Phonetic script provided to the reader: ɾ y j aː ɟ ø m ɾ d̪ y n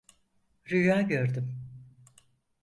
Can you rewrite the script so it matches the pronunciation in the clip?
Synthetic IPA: ɾ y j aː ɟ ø ɾ d̪ y m